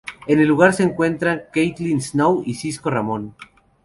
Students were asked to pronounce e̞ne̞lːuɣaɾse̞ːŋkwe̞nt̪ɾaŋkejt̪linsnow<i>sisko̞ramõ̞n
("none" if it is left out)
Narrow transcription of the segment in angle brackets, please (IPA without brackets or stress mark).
i